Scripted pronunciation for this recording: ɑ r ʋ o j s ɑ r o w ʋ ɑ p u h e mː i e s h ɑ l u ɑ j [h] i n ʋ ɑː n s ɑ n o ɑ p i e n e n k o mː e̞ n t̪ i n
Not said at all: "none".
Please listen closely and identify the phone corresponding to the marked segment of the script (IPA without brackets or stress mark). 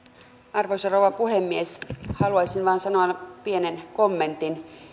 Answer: s